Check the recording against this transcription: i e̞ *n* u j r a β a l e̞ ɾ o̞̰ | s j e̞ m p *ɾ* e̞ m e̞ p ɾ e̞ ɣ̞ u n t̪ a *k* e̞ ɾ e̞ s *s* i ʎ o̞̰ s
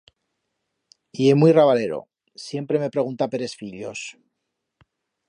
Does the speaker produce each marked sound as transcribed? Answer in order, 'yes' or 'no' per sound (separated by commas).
no, yes, no, no